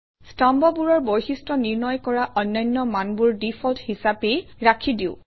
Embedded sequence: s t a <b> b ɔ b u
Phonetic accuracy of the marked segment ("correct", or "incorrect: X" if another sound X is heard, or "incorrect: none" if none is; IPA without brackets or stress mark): incorrect: m